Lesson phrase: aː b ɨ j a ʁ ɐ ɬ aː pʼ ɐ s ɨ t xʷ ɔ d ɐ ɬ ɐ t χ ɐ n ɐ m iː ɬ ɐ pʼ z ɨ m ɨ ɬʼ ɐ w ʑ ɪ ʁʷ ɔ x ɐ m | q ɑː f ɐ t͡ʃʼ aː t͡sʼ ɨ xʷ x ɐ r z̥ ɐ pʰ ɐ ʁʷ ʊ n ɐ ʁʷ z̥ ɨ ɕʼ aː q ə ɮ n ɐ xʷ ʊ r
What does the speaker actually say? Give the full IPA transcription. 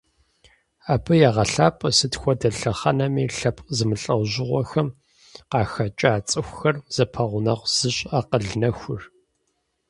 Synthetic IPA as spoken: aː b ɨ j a ʁ ɐ ɬ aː pʼ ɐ s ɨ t xʷ ɔ d ɐ ɬ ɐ χ ɐ n ɐ m iː ɬ ɐ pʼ z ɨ m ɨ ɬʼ ɐ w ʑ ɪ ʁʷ ɔ x ɐ m | q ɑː x ɐ t͡ʃʼ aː t͡sʼ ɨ xʷ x ɐ r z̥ ɐ pʰ ɐ ʁʷ ʊ n ɐ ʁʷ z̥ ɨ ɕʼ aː q ə ɮ n ɐ xʷ ʊ r